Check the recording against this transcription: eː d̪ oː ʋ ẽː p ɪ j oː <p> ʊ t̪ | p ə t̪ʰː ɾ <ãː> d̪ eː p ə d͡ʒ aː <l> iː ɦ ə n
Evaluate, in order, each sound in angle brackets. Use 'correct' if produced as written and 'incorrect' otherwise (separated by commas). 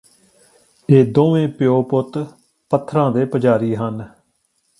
correct, correct, incorrect